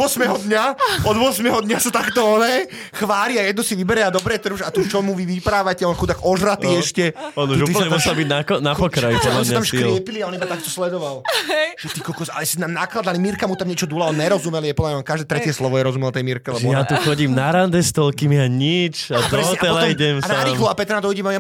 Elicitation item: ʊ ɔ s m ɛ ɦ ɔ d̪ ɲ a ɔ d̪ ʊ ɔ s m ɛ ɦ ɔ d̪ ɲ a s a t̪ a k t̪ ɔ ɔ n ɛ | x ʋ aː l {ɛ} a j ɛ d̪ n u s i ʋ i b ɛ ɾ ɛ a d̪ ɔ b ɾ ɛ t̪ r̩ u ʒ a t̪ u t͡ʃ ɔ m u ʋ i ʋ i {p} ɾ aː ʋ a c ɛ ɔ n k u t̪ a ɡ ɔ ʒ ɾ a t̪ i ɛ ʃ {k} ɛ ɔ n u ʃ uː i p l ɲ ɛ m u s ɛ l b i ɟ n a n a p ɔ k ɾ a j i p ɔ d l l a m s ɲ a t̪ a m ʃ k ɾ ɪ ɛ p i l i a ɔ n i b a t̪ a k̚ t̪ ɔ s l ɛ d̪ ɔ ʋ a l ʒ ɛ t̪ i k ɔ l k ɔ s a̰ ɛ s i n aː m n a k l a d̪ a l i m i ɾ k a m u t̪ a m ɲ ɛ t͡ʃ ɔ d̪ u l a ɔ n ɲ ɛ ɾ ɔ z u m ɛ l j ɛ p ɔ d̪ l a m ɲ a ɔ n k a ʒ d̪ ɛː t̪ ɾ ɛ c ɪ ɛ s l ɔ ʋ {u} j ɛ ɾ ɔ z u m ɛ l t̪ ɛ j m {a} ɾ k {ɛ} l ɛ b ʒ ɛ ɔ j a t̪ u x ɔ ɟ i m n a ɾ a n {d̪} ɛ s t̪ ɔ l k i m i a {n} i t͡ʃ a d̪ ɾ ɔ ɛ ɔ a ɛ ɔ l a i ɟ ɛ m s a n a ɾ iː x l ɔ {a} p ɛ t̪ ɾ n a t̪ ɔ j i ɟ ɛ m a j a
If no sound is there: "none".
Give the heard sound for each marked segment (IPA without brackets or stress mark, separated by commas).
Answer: i, p, c, ɔ, i, ɛ, d̪, ɲ, a